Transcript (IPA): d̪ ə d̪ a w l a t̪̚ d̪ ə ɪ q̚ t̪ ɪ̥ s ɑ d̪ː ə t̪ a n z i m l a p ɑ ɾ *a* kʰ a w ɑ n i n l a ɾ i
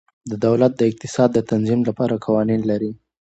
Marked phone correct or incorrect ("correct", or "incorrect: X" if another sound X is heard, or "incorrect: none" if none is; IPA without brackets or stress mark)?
correct